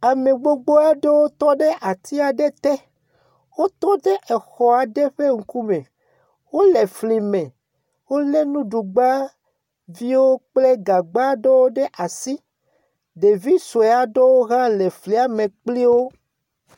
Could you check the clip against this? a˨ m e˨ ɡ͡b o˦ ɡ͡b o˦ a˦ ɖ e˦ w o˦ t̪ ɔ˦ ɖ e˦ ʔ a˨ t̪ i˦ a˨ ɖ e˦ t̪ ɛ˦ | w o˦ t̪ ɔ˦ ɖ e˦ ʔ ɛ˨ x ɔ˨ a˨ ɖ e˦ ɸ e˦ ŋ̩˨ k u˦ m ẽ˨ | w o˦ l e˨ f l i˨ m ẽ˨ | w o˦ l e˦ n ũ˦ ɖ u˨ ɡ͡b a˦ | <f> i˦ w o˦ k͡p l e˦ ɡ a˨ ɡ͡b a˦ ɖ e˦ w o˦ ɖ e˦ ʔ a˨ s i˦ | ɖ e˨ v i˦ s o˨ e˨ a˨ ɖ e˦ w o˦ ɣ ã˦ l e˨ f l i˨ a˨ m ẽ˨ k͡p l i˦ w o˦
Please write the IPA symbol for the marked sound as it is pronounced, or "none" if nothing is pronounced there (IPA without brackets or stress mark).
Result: v